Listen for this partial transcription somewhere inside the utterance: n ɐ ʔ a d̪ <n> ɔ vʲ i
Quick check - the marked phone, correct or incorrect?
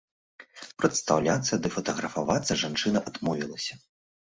incorrect: m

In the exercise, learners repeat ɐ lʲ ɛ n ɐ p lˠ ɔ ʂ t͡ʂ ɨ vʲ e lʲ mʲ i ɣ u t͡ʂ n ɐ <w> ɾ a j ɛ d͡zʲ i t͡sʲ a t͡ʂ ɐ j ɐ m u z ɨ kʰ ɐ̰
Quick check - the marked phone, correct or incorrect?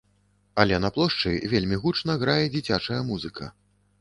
incorrect: ɣ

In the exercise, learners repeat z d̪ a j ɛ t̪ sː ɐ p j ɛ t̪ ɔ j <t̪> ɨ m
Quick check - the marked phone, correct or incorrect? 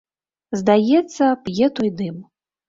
incorrect: d̪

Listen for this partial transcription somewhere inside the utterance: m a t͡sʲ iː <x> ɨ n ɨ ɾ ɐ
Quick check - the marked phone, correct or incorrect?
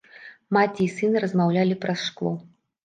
incorrect: s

